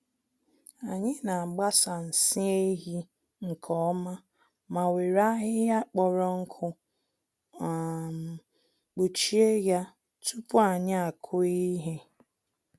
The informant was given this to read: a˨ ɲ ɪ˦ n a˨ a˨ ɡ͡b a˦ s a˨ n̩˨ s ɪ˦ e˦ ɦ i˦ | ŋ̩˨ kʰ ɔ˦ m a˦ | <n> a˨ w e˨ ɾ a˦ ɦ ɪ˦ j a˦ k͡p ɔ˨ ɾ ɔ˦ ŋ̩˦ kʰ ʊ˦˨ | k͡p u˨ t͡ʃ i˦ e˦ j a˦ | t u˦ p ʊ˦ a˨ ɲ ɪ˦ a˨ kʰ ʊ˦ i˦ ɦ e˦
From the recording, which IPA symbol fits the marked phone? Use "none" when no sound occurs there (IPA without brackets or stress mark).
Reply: m